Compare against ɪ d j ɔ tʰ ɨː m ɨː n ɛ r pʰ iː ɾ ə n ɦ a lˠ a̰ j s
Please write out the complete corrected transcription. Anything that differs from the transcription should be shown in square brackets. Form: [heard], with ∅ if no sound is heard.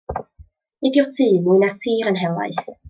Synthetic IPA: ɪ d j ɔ tʰ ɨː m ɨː n [a] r [tʰ] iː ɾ ə n ɦ [ɛ] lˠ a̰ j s